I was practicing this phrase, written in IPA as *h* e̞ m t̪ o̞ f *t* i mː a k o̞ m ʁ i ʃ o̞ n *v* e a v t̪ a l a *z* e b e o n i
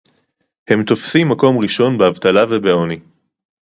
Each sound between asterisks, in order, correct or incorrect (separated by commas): correct, incorrect, incorrect, incorrect